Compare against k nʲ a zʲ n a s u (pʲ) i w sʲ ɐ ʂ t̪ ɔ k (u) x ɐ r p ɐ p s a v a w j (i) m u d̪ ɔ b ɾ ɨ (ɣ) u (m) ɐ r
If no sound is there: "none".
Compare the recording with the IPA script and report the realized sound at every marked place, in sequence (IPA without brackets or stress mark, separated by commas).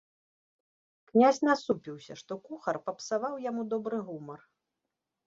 pʲ, u, a, ɣ, m